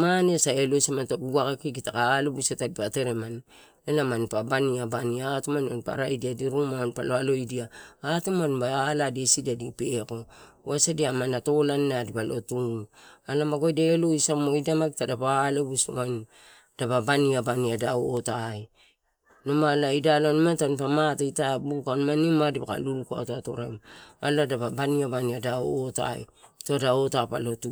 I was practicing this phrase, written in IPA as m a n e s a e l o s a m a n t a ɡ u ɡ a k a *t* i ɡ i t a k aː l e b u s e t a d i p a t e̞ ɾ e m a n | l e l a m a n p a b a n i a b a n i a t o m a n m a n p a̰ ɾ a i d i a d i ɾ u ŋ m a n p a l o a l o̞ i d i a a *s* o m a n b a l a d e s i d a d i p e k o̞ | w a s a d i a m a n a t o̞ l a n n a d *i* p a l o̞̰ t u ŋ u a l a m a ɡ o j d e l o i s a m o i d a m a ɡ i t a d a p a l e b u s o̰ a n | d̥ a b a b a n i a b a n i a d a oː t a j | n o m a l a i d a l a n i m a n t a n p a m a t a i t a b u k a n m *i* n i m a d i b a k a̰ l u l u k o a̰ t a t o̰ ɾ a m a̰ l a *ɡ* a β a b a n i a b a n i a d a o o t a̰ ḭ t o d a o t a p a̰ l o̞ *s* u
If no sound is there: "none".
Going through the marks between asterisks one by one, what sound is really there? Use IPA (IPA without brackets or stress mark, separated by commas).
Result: k, t, i, a, d, t